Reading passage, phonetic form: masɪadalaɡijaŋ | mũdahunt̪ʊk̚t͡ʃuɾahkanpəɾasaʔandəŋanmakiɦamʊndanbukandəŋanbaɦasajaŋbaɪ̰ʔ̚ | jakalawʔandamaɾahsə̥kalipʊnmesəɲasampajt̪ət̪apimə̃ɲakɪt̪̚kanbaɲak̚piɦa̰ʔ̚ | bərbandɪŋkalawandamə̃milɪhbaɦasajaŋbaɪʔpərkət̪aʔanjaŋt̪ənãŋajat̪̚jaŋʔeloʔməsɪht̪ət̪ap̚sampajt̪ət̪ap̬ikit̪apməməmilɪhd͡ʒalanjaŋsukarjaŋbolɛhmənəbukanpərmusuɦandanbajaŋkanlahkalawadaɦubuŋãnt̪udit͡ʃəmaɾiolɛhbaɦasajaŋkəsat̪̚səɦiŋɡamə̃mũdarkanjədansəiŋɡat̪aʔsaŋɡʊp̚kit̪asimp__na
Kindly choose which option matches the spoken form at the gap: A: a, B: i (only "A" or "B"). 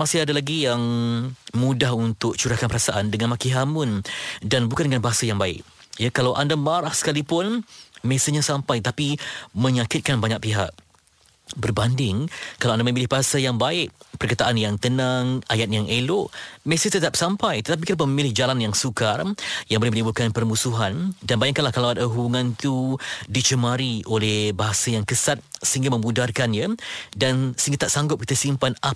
A